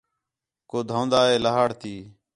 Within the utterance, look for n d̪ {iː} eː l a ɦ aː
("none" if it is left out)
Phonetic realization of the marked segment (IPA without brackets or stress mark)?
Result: aː